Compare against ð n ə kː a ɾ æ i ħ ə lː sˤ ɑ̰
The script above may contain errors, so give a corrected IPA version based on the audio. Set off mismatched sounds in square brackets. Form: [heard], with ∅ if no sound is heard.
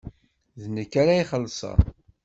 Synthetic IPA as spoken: ð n ə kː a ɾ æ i [χ] ə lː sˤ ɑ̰